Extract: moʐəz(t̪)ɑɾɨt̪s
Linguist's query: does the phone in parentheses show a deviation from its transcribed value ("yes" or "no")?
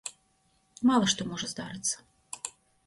yes